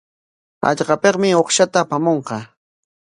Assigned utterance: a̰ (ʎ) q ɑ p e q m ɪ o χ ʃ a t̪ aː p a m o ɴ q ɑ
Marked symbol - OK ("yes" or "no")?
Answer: yes